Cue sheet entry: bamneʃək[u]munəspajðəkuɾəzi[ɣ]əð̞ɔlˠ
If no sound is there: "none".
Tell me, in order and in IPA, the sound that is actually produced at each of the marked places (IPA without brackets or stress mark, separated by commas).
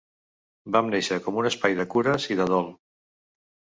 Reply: ɔ, ð